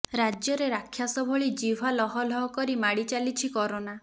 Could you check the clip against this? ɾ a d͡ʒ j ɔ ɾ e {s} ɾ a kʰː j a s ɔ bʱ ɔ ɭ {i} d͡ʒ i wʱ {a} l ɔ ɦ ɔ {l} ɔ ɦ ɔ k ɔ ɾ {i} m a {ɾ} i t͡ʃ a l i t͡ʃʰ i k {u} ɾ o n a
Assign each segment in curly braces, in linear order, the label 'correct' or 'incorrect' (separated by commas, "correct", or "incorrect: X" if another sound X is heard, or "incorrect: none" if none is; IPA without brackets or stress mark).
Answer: incorrect: none, correct, correct, correct, correct, incorrect: ɽ, incorrect: ɔ